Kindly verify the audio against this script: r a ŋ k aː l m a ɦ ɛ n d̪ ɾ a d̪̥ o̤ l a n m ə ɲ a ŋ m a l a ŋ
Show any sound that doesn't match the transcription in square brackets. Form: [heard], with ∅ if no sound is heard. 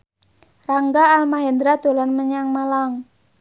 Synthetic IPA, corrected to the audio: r a ŋ [ɡ] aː l m a ɦ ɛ n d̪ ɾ a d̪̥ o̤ l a n m ə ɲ a ŋ m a l a ŋ